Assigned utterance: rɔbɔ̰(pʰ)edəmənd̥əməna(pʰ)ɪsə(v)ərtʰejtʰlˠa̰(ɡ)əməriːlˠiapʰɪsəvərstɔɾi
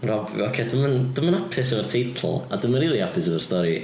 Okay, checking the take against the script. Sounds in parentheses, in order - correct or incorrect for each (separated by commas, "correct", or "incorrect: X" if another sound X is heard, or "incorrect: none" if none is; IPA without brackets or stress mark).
incorrect: kʰ, correct, correct, incorrect: d